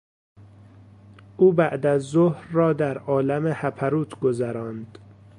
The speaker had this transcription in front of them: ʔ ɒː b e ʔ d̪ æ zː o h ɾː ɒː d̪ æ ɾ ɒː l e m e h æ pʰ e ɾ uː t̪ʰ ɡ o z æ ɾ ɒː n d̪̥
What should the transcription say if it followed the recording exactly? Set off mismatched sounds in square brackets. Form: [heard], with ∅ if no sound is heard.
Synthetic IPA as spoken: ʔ [uː] b [æ] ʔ d̪ æ zː o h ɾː ɒː d̪ æ ɾ ɒː l [æ] m e h æ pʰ [æ] ɾ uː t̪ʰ ɡ o z æ ɾ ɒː n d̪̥